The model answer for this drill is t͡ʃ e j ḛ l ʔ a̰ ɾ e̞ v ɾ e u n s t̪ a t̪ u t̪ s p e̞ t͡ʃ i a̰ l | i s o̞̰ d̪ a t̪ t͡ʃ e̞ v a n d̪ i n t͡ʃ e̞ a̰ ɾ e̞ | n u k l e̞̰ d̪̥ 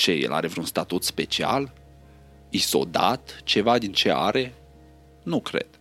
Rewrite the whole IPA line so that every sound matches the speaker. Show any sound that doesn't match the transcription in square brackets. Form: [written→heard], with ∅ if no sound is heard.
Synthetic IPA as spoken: t͡ʃ e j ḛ l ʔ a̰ ɾ e̞ v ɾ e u n s t̪ a t̪ u t̪ s p e̞ t͡ʃ i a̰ l | i s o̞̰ d̪ a t̪ t͡ʃ e̞ v a [n→∅] d̪ i n t͡ʃ e̞ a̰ ɾ e̞ | n u k [l→ɾ] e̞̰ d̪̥